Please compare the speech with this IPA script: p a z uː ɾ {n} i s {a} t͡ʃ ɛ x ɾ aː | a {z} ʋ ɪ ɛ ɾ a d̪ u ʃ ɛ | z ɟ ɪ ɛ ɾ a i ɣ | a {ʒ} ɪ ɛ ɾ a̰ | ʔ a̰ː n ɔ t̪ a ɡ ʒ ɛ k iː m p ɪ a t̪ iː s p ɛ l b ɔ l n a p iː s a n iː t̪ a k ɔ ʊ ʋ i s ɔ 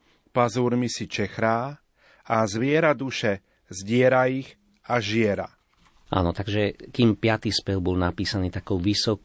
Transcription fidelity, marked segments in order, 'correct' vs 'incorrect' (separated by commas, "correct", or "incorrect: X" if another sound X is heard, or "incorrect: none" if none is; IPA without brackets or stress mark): incorrect: m, incorrect: i, correct, correct